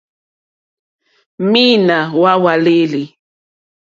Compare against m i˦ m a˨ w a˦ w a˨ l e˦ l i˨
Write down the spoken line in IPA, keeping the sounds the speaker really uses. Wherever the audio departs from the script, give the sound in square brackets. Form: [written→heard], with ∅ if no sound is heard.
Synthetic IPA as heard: m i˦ [m→n] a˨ w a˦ w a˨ l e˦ l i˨

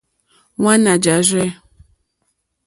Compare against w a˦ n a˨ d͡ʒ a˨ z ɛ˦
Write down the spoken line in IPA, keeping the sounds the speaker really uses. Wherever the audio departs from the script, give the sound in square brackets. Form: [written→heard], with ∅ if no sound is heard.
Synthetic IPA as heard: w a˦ n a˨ d͡ʒ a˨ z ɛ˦

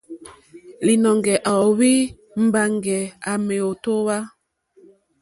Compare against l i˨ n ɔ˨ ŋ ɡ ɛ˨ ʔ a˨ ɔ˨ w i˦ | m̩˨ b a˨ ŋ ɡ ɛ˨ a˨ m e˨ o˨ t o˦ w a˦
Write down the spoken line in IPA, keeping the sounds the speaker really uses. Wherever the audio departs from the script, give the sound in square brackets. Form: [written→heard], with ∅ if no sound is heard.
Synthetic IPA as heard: l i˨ n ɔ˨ ŋ ɡ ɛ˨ ʔ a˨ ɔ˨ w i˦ | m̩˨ b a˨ ŋ ɡ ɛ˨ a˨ m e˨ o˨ t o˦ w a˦

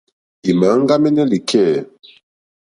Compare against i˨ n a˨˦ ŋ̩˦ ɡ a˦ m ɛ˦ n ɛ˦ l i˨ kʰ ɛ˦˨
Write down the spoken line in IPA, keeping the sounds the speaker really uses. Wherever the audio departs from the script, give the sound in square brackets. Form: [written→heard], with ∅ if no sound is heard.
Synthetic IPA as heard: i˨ [n→m] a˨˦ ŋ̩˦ ɡ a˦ m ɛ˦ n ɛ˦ l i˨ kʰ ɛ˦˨

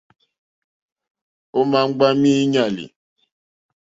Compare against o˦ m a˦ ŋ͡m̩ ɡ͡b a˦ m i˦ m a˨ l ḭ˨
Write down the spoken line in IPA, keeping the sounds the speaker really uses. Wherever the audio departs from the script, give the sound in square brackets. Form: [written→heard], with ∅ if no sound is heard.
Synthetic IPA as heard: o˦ m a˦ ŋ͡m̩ ɡ͡b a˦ m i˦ [m→ɲ] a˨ l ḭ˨

